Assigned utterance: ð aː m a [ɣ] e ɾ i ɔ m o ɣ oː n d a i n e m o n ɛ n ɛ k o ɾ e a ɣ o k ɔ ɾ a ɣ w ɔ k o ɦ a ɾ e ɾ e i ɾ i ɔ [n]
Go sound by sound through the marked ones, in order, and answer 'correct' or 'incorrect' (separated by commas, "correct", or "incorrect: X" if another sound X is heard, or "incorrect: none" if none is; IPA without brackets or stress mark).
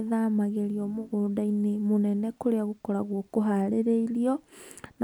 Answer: correct, correct